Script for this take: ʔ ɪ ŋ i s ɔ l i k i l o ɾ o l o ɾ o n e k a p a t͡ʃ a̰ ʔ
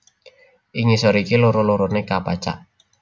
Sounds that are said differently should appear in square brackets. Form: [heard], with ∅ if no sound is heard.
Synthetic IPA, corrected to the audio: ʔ [i] ŋ i s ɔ [ɾ] i k i l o ɾ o l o ɾ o n e k a p a t͡ʃ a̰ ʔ